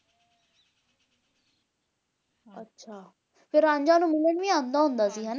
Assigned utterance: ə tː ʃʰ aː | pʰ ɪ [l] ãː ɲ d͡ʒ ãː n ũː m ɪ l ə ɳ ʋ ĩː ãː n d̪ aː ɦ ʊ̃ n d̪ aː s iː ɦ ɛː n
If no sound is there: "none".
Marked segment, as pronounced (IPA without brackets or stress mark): ɾ